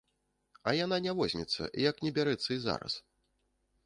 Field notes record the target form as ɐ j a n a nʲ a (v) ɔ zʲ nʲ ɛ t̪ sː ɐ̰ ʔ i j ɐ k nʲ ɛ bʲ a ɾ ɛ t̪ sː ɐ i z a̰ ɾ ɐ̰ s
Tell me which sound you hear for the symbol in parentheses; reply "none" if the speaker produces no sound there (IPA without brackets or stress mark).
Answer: v